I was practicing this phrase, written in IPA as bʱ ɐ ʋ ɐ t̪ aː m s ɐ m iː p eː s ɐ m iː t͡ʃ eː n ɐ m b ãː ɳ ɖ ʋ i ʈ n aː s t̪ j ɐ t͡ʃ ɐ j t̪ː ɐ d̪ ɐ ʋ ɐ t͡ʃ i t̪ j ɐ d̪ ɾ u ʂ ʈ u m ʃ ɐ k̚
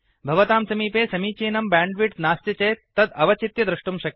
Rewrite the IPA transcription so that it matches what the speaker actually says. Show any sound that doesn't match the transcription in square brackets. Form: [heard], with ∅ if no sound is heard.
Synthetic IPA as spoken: bʱ ɐ ʋ ɐ t̪ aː m s ɐ m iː p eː s ɐ m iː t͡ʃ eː n ɐ m b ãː ɳ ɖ ʋ i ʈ n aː s t̪ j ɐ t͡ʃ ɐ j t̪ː ɐ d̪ ɐ ʋ ɐ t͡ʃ i t̪ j ɐ d̪ ɾ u ʂ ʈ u m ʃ ɐ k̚

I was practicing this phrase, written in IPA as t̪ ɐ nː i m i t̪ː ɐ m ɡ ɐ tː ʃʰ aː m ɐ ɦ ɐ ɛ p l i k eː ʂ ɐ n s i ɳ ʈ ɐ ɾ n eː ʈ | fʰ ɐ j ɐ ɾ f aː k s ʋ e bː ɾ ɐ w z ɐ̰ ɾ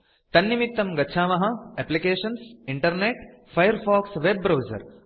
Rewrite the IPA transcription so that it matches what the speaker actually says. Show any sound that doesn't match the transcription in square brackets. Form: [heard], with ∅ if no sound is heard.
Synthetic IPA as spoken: t̪ ɐ nː i m i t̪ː ɐ m ɡ ɐ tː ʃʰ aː m ɐ ɦ ɐ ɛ p l i k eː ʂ ɐ n s i ɳ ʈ ɐ ɾ n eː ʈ | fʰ ɐ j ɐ ɾ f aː k s ʋ e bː ɾ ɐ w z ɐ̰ ɾ

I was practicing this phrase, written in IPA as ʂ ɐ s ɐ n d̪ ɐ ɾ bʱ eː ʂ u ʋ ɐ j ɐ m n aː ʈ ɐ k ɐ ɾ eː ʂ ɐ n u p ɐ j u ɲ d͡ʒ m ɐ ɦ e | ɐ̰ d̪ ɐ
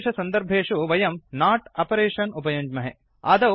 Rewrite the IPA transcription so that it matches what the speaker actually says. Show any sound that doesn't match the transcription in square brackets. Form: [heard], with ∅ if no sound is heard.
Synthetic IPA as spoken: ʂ ɐ s ɐ n d̪ ɐ ɾ bʱ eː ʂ u ʋ ɐ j ɐ m n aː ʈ ɐ [p] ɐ ɾ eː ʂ ɐ n u p ɐ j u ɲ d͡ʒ m ɐ ɦ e | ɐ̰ d̪ ɐ

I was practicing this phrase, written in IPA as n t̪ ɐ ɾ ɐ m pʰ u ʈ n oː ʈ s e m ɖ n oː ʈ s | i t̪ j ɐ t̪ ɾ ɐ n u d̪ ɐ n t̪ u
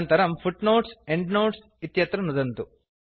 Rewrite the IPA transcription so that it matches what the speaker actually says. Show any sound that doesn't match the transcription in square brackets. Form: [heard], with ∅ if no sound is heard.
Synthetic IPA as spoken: n t̪ ɐ ɾ ɐ m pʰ u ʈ n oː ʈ s e [ɳ] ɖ n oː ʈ s | i t̪ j ɐ t̪ ɾ ɐ n u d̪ ɐ n t̪ u

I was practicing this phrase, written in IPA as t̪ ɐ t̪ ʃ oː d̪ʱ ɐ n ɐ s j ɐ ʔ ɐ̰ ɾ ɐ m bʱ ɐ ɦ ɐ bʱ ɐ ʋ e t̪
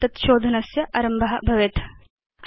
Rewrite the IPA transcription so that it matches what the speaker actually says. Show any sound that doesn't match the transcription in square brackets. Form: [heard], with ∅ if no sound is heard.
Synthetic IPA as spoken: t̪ ɐ t̪ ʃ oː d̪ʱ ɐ n ɐ s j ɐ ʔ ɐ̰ ɾ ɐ m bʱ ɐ ɦ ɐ bʱ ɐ ʋ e t̪

